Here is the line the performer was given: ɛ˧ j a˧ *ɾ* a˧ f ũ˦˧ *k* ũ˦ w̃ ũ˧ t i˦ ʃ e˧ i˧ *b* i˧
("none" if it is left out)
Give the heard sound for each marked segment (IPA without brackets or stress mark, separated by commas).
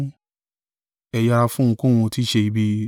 ɾ, k, b